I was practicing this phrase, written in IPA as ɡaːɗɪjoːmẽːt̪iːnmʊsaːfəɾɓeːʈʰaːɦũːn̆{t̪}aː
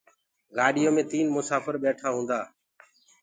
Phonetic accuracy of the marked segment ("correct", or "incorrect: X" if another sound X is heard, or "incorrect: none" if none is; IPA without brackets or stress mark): incorrect: d̪